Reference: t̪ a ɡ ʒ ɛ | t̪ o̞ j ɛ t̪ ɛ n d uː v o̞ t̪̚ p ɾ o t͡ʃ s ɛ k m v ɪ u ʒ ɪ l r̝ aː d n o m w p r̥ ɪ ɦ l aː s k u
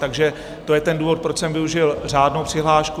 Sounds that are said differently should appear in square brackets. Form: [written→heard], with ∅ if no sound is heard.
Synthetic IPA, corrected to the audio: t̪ a ɡ ʒ ɛ | t̪ o̞ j ɛ t̪ ɛ n d uː v o̞ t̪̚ p ɾ o t͡ʃ s ɛ [k→∅] m v ɪ u ʒ ɪ l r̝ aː d n o [m→∅] w p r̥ ɪ ɦ l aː [s→ʃ] k u